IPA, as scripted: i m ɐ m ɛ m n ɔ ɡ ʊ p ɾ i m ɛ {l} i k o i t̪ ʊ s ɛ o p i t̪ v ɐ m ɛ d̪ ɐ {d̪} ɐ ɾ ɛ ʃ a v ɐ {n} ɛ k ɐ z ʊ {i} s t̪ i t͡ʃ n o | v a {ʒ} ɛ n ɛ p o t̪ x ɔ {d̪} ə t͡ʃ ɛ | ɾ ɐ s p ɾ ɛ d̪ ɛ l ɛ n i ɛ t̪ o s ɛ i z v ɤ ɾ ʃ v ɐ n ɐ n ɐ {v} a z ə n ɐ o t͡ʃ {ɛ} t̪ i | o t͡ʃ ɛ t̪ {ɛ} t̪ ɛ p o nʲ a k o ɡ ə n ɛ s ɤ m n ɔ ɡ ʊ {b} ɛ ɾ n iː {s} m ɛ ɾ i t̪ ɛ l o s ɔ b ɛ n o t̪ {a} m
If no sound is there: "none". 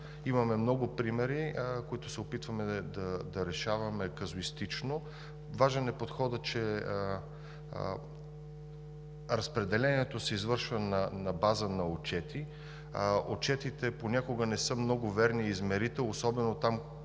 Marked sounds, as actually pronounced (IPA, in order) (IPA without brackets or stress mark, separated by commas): ɾ, d̪, m, i, ʒ, d̪, b, ɛ, i, v, z, a